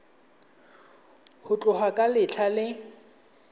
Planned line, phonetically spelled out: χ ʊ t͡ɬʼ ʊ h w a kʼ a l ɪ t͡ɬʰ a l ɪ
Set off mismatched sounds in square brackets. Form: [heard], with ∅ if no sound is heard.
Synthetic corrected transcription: [h] ʊ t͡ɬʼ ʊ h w a kʼ a l ɪ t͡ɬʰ a l ɪ